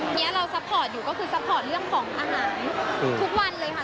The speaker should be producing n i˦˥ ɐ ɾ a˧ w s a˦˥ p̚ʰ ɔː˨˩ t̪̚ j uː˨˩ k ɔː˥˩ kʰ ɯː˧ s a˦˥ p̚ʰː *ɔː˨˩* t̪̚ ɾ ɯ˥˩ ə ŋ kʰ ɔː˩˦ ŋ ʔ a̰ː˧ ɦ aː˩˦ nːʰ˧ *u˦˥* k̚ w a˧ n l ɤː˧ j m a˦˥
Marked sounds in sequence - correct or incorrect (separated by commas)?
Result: correct, correct